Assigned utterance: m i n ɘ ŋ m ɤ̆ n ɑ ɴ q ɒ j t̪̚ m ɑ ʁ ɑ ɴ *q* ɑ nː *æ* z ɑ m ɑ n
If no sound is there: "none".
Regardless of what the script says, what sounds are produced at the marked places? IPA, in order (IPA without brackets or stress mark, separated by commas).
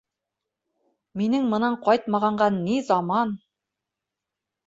ɢ, i